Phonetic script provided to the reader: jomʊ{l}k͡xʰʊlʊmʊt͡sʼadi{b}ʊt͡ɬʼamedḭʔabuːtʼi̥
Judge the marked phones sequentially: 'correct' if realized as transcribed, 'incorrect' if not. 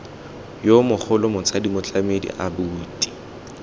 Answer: incorrect: none, incorrect: m

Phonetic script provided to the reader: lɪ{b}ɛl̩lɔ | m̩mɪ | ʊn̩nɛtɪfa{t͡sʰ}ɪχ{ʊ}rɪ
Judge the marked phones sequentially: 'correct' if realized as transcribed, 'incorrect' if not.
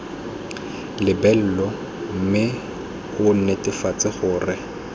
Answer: correct, incorrect: t͡s, incorrect: ʊː

